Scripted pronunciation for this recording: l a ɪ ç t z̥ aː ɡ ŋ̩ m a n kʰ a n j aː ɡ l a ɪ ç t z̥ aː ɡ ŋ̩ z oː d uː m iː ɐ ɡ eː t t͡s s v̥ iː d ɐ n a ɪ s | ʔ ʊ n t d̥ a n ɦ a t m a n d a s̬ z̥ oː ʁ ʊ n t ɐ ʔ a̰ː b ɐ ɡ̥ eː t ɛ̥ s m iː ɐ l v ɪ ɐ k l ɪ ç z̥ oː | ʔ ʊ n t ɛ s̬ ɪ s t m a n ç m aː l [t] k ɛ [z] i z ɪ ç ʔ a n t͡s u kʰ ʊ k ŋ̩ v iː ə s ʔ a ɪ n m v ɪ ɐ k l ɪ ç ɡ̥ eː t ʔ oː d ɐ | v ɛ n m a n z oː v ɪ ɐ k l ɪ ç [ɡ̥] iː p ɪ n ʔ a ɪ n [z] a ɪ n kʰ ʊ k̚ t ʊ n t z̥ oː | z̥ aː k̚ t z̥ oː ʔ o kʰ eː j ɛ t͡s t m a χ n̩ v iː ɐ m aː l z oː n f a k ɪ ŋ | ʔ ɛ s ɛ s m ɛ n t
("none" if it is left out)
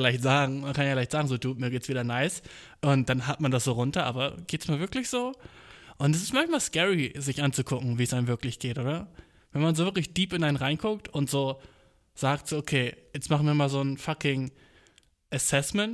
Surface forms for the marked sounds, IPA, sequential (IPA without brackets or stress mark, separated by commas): s, ʁ, d̥, ʁ